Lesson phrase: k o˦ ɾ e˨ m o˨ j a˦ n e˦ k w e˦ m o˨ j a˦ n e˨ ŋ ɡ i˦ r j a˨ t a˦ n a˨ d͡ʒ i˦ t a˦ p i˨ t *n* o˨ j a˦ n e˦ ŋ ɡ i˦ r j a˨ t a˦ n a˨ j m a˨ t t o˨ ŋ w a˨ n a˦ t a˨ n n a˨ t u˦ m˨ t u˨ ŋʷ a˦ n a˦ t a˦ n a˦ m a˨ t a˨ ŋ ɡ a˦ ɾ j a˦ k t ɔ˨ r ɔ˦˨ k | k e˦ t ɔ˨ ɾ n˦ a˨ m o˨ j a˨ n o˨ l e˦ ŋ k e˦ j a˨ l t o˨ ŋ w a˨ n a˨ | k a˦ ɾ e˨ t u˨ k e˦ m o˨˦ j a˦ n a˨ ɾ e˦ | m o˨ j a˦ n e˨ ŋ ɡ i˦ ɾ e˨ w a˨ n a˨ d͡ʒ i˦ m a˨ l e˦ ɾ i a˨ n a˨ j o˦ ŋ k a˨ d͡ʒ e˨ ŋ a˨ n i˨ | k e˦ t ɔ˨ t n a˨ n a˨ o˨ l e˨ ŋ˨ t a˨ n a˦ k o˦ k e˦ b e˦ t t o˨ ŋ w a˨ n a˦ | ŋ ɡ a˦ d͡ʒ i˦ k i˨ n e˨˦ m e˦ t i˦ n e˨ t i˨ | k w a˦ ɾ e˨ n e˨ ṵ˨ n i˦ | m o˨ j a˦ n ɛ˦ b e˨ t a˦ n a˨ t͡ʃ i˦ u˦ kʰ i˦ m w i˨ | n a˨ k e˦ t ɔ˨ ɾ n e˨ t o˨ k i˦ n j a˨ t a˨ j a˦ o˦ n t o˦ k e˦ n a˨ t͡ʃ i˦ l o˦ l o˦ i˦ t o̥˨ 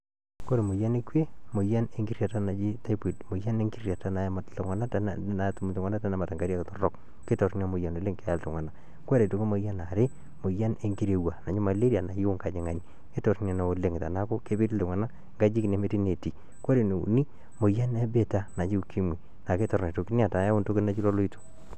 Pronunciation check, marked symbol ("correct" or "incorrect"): incorrect